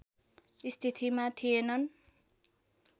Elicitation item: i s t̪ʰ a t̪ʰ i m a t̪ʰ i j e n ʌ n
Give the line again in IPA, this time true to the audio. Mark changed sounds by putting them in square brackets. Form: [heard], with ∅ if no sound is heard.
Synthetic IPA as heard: i s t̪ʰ [i] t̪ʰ i m a t̪ʰ i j e n ʌ n